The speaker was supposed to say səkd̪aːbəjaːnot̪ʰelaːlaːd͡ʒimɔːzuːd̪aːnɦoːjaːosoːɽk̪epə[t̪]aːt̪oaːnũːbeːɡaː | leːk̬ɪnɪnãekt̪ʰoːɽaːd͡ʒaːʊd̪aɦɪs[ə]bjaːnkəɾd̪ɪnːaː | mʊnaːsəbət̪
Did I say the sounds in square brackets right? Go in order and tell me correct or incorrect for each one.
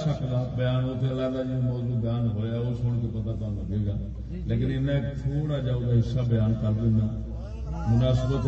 correct, incorrect

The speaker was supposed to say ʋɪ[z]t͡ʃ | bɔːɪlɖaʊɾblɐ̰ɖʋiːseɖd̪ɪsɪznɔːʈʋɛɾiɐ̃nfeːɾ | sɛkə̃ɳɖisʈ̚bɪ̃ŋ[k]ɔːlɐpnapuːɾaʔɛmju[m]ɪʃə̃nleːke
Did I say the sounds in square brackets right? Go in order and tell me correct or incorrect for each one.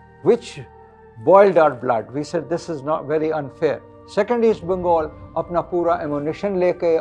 incorrect, incorrect, incorrect

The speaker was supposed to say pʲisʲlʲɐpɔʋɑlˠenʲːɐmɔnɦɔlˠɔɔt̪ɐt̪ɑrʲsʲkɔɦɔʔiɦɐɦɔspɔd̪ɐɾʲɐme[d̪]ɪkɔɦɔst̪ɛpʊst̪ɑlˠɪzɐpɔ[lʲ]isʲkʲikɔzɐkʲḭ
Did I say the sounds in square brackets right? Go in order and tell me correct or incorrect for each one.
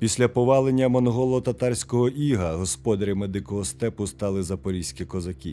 correct, incorrect

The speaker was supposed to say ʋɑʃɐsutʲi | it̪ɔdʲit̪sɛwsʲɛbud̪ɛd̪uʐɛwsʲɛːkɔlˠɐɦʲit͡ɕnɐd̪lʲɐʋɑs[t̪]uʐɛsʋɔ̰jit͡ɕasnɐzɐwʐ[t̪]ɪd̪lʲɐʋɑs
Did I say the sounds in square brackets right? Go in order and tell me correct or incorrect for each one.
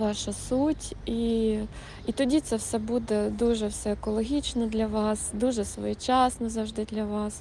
incorrect, incorrect

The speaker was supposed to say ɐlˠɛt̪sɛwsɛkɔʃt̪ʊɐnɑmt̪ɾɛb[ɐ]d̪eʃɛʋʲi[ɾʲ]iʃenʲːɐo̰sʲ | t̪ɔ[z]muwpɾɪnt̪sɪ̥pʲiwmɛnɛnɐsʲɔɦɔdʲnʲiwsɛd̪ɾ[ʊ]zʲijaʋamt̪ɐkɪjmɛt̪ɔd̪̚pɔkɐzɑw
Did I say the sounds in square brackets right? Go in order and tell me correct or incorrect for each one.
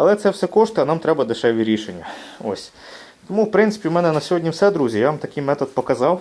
correct, correct, incorrect, incorrect

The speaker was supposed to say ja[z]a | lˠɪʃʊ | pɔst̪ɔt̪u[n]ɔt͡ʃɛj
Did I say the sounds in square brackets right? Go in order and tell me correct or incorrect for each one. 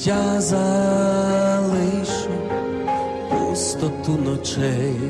correct, correct

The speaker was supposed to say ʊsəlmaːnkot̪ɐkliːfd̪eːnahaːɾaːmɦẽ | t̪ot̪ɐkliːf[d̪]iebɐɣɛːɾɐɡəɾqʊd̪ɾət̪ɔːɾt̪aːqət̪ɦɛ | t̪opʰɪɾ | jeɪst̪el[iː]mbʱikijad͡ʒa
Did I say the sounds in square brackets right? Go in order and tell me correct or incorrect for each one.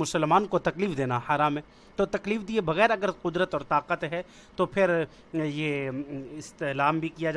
correct, incorrect

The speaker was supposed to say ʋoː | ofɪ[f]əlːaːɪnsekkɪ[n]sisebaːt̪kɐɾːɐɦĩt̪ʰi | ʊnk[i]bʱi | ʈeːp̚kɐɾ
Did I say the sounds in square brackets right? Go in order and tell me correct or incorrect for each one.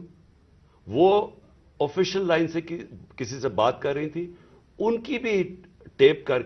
incorrect, incorrect, correct

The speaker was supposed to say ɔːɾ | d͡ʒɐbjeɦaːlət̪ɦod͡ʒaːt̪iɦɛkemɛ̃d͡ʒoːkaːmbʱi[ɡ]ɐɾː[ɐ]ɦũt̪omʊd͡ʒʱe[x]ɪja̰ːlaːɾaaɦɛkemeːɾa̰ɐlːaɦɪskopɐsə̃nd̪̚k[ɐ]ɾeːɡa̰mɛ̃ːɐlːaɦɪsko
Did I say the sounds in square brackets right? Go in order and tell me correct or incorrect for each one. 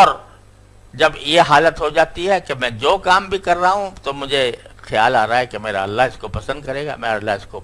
incorrect, incorrect, correct, correct

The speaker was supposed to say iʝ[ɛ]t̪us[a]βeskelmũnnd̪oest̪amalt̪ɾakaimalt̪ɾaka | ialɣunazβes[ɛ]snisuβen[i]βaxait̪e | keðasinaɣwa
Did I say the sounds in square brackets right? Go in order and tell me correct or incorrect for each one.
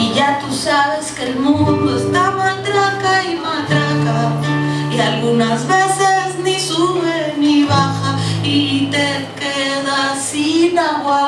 incorrect, correct, incorrect, correct

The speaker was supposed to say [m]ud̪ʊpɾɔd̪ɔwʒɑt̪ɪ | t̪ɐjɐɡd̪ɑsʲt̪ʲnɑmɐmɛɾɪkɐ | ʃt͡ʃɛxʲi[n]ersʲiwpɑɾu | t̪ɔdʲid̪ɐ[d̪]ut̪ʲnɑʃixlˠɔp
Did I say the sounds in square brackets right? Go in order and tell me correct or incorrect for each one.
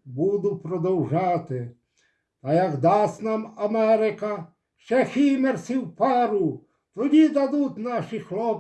incorrect, incorrect, correct

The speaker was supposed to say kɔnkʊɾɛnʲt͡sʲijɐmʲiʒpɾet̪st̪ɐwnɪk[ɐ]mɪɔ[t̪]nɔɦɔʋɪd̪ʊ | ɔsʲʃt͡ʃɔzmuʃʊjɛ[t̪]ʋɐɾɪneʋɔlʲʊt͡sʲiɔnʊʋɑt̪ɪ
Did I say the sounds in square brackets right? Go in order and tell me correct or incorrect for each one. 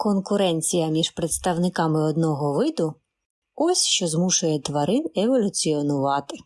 incorrect, incorrect, correct

